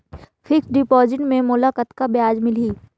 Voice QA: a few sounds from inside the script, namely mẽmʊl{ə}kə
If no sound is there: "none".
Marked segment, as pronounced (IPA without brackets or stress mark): a